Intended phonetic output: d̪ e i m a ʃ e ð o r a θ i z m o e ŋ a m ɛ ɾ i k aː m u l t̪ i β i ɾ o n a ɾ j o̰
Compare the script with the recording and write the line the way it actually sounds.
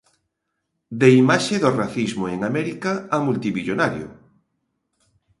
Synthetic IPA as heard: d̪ e i m a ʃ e ð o r a θ i z m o e ŋ a m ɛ ɾ i k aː m u l t̪ i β i ʎ o n a ɾ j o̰